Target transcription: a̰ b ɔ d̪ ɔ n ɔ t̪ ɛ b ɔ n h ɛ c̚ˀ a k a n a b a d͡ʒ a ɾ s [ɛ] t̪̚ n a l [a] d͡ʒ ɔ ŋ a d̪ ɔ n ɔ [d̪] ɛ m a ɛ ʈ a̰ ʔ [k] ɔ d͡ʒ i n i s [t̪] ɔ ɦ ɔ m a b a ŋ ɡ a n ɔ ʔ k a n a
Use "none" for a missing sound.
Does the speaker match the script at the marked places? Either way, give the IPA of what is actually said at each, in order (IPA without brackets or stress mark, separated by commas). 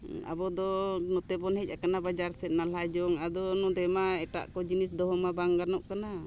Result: ɛ, a, d̪, k, d̪